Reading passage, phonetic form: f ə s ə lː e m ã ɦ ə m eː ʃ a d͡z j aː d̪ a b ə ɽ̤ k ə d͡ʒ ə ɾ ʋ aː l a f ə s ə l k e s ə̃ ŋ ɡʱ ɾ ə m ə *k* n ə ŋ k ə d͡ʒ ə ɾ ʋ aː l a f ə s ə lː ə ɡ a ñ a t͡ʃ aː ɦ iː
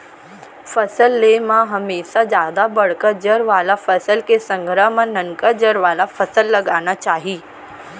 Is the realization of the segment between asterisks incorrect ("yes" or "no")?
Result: yes